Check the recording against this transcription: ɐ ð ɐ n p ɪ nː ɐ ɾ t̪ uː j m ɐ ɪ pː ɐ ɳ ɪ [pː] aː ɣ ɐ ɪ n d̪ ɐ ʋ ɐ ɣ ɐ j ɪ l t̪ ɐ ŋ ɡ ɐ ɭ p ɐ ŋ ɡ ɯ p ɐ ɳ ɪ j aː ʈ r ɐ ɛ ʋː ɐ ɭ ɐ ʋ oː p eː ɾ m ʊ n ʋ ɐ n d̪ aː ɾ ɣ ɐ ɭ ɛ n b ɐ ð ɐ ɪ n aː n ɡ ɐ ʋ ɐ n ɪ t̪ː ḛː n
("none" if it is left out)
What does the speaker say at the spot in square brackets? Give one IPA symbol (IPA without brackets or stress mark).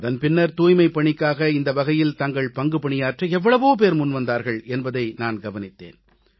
kː